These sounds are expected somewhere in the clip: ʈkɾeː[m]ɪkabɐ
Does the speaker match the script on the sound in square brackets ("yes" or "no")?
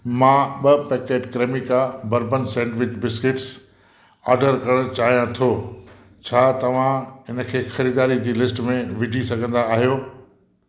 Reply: yes